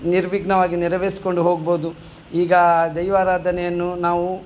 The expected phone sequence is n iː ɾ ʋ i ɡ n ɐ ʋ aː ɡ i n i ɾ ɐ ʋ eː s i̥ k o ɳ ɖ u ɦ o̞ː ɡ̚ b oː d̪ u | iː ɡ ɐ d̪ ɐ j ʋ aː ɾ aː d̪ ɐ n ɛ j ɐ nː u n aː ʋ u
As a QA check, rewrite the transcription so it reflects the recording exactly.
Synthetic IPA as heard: n i ɾ ʋ i ɡ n ɐ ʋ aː ɡ i n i ɾ ɐ ʋ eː s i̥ k o ɳ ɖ u ɦ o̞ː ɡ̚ b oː d̪ u | iː ɡ ɐ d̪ ɐ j ʋ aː ɾ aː d̪ ɐ n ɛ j ɐ nː u n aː ʋ u